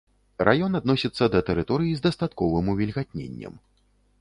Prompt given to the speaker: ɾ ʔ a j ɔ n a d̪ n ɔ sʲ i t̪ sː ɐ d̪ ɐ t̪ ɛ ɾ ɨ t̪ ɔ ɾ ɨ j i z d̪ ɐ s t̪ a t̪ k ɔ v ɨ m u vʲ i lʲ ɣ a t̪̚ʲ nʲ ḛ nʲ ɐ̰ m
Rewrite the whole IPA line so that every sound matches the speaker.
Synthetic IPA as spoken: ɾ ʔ a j ɔ n a d̪ n ɔ sʲ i t̪ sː ɐ d̪ ɐ t̪ ɛ ɾ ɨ t̪ ɔ ɾ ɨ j i z d̪ ɐ s t̪ a t̪ k ɔ v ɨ m u vʲ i lʲ ɣ a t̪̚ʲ nʲ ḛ nʲː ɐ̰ m